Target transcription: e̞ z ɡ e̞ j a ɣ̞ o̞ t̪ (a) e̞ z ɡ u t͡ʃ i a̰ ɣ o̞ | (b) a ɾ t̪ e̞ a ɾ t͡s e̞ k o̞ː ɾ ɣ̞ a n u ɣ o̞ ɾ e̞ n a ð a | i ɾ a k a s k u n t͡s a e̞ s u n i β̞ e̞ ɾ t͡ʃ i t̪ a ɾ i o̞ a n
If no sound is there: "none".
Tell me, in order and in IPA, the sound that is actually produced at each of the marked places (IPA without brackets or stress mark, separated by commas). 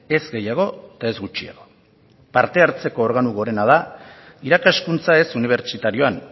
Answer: a, p